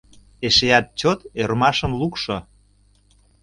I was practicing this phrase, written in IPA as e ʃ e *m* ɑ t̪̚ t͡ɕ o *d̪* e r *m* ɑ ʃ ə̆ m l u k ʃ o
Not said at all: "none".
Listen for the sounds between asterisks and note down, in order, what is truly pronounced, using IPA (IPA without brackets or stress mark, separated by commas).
none, t̪, m